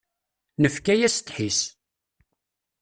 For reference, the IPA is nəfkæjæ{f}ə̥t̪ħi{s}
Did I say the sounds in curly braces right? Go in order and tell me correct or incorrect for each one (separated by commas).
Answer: incorrect, correct